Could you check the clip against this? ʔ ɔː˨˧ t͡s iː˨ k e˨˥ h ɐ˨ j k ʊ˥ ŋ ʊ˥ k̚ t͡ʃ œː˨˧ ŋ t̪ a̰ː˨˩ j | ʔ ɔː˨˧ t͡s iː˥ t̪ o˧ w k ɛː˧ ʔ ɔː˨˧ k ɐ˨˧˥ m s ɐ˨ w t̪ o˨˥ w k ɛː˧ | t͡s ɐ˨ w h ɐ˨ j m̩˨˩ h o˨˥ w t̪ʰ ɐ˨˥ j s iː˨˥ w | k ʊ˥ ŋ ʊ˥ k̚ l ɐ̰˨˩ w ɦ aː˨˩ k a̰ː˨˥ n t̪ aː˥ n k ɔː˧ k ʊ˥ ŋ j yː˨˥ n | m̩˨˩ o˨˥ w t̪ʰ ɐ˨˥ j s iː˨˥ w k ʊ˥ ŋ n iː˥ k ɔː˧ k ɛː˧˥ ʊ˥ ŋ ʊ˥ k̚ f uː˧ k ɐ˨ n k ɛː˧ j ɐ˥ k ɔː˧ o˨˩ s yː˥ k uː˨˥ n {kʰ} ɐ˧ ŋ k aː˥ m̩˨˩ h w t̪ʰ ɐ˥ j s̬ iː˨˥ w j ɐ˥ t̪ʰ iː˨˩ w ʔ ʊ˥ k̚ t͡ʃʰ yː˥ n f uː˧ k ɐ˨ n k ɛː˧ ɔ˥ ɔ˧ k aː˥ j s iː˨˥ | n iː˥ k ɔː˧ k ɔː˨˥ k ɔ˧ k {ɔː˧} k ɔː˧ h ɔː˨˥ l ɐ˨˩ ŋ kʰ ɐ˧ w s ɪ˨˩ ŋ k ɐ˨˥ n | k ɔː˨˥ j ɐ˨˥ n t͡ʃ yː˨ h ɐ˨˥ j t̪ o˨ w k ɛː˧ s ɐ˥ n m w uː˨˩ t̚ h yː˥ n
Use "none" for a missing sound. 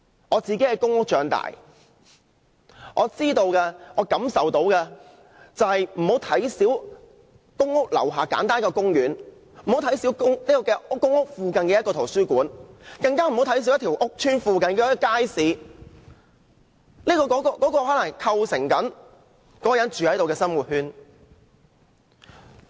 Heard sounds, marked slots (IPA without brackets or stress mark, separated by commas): k, ɔː˨˥